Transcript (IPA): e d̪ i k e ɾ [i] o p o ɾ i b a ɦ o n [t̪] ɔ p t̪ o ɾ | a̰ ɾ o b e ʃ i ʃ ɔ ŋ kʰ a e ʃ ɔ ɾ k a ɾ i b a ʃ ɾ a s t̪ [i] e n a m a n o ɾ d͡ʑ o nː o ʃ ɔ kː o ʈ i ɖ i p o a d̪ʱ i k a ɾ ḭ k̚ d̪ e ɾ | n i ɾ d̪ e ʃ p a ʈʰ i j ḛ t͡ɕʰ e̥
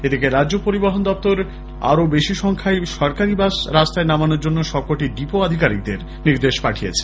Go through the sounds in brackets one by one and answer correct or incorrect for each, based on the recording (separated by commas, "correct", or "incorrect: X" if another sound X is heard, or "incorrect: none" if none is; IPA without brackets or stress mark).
incorrect: a, incorrect: d̪, incorrect: a